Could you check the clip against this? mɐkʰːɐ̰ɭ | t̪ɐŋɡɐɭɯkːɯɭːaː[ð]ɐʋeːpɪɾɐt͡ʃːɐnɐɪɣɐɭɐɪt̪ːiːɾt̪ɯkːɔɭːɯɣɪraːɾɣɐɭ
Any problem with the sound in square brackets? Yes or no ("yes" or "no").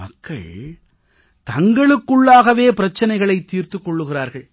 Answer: yes